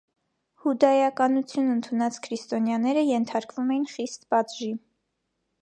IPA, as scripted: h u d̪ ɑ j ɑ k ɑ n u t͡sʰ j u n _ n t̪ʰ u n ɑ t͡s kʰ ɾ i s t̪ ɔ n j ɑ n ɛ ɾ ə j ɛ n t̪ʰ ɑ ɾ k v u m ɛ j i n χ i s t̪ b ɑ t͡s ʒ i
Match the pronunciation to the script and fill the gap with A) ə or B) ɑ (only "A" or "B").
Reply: A